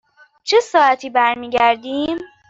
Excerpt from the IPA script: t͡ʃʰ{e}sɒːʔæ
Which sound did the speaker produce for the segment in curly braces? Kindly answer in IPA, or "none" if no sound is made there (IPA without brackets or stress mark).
e